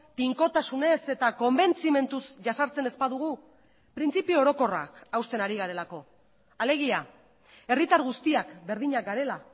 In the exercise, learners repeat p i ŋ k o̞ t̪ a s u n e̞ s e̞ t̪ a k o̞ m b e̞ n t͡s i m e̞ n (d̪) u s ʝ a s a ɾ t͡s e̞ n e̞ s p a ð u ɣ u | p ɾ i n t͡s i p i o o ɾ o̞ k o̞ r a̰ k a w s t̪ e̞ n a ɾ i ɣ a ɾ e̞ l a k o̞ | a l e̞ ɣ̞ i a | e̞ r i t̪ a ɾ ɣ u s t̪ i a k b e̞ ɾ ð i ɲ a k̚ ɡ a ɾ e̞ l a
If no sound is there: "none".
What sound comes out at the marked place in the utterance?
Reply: t̪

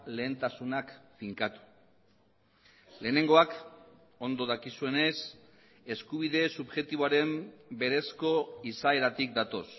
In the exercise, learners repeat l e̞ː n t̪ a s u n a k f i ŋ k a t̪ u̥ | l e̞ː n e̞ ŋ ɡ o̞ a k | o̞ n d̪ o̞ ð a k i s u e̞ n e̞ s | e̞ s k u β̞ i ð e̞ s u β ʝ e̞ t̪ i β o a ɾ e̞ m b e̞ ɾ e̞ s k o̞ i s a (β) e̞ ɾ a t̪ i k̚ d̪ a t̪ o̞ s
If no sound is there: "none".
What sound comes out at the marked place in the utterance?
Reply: none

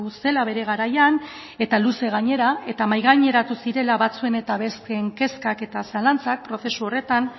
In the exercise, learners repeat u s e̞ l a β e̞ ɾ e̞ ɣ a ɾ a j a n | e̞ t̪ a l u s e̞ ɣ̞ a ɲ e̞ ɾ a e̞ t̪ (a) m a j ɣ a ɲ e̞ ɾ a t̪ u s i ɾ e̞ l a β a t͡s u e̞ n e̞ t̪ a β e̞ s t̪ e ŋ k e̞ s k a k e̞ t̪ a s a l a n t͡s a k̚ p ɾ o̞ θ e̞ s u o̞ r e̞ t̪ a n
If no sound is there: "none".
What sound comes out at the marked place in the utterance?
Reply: a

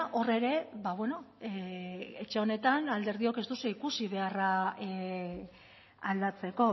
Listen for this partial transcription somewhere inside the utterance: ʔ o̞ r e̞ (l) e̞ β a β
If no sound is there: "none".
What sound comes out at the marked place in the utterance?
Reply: ɾ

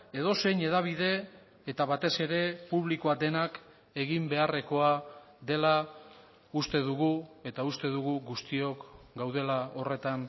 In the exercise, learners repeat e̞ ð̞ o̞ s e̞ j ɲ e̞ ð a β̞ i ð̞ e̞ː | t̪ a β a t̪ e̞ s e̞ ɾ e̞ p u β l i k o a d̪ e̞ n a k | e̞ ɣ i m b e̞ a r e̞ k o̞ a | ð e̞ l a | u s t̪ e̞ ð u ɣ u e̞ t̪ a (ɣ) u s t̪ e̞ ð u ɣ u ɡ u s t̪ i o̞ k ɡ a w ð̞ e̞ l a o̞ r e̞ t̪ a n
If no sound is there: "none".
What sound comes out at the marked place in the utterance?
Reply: none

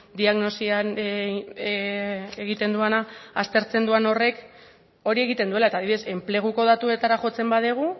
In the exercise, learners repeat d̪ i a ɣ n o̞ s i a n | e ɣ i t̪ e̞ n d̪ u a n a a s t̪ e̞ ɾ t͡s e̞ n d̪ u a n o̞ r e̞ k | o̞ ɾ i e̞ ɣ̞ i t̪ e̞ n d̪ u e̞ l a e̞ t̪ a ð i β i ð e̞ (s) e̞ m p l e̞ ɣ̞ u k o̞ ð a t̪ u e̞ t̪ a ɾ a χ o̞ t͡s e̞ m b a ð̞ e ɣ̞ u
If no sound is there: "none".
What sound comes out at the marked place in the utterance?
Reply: s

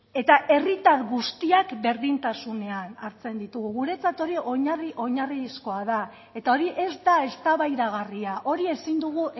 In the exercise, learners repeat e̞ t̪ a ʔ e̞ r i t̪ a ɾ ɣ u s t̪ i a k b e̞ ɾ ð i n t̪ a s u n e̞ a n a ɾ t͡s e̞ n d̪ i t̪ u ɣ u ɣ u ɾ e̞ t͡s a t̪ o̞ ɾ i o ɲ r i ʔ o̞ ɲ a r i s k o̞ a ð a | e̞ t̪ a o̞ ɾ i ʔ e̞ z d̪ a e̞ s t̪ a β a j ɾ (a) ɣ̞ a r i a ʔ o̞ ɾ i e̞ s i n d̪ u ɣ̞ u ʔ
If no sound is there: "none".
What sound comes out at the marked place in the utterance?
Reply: a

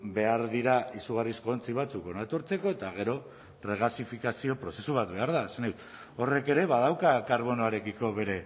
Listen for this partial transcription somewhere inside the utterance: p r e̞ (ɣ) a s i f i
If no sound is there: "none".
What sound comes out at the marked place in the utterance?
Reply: ɣ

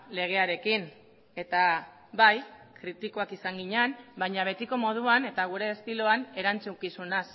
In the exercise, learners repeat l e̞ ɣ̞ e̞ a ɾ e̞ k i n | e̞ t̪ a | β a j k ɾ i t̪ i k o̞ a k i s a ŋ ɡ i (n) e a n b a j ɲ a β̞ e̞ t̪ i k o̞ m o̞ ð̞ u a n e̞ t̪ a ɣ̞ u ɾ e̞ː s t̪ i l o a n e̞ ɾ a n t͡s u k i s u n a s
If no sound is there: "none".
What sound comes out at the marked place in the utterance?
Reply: ɲ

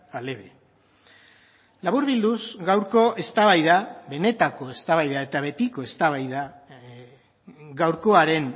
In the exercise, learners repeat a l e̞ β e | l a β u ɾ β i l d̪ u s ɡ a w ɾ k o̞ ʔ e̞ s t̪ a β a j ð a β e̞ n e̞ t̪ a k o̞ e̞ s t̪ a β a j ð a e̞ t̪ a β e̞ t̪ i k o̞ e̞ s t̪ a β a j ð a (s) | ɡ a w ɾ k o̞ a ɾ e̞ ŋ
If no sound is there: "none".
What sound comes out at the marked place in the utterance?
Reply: none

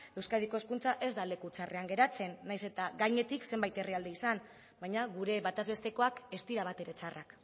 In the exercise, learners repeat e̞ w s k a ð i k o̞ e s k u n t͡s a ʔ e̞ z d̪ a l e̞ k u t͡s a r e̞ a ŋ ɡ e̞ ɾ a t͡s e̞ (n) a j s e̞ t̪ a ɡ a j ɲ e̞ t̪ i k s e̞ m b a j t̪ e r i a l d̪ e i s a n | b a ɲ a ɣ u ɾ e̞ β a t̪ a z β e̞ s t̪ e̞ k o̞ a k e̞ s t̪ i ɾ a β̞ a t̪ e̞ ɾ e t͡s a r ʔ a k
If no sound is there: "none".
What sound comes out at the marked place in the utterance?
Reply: nː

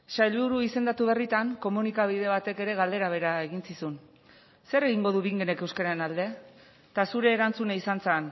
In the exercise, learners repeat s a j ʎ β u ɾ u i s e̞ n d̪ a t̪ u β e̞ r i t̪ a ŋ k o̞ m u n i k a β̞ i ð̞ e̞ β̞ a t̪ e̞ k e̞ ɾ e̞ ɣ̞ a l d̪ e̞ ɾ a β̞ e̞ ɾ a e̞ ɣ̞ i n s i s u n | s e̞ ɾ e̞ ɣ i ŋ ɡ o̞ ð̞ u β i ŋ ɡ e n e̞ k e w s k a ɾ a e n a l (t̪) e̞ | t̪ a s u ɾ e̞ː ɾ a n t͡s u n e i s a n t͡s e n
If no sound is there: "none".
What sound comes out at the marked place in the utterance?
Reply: d̪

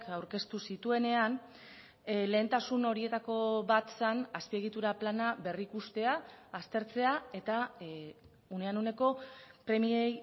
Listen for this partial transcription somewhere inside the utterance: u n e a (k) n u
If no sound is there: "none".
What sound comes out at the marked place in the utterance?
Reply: none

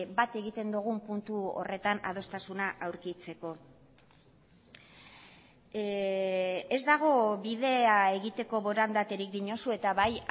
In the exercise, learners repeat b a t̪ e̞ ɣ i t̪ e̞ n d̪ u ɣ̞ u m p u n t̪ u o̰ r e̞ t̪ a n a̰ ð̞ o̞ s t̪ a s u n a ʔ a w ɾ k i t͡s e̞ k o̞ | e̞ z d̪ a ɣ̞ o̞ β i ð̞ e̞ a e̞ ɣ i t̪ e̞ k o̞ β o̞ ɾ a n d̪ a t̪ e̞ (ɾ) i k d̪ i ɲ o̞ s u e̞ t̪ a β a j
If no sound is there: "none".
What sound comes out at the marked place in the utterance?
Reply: ɾ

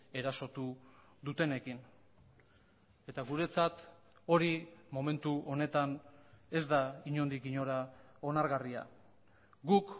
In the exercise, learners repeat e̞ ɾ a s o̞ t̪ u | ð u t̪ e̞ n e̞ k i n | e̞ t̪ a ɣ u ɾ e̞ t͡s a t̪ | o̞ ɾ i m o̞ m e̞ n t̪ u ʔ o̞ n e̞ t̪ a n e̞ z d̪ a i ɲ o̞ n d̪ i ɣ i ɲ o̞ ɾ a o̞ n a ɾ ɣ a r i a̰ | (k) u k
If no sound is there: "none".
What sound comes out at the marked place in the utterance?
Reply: ɡ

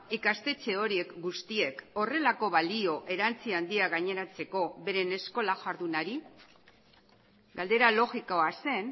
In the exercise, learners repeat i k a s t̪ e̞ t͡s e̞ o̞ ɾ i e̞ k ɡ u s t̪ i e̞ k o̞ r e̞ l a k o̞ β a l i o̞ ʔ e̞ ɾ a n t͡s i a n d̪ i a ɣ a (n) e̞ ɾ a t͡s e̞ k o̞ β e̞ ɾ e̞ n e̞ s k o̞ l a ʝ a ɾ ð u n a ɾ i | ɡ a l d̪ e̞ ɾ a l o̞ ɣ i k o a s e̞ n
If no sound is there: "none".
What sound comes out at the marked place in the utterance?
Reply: ɲ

